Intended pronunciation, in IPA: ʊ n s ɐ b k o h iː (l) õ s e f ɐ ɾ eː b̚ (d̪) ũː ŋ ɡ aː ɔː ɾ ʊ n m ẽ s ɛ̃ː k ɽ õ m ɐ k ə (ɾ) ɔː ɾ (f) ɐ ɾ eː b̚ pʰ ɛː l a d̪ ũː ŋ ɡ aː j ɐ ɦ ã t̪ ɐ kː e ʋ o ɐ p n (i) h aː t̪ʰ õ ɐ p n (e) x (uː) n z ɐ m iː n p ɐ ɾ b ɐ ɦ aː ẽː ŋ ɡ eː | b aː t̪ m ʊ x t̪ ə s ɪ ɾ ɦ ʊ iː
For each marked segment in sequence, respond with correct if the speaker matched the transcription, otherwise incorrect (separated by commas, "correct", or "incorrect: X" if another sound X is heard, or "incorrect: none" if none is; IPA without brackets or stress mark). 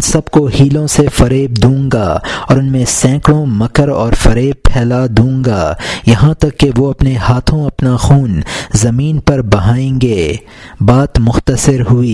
correct, correct, correct, correct, incorrect: e, incorrect: a, correct